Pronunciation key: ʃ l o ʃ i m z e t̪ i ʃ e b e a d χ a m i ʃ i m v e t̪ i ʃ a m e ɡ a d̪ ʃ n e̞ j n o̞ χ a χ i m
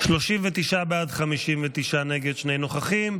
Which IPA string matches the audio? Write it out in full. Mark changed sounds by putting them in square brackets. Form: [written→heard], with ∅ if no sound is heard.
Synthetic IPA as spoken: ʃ l o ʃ i m [z→v] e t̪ i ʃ [e→a] b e a d χ a m i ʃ i m v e t̪ i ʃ a [m→n] e ɡ [a→e] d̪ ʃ n e̞ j n o̞ χ a χ i m